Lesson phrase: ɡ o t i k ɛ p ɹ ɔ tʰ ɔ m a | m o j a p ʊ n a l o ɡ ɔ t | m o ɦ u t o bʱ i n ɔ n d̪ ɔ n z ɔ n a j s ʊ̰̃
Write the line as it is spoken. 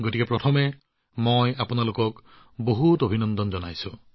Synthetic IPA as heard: ɡ o t i k ɛ p ɹ ɔ tʰ ɔ m ɛ | m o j a p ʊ n a l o k ɔ k | b o ɦ u t o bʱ i n ɔ n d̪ ɔ n z ɔ n a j s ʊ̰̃